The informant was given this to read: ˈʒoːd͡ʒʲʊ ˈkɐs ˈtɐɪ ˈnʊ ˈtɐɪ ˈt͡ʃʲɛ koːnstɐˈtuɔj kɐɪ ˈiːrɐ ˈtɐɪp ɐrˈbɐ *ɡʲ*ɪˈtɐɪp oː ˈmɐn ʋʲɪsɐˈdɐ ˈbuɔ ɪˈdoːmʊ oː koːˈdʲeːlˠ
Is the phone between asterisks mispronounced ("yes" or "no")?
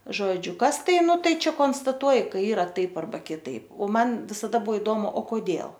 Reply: yes